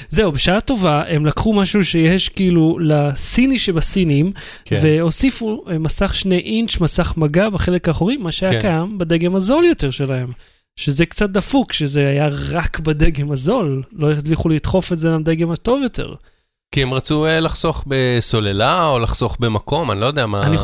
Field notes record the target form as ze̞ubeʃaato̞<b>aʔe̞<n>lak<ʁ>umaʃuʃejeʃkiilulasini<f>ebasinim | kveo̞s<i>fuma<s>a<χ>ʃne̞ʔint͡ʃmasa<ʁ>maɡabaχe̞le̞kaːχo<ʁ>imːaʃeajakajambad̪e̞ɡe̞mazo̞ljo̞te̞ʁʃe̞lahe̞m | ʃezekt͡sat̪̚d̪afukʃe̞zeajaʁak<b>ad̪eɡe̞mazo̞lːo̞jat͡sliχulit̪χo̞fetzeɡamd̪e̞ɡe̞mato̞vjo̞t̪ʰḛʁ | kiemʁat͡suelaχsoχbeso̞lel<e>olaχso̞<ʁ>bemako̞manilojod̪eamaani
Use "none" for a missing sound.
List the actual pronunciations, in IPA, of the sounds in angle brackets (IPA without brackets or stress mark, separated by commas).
v, m, χ, ʃ, i, s, χ, χ, ʁ, b, a, χ